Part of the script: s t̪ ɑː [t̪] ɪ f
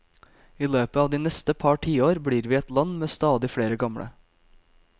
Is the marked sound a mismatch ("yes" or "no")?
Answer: yes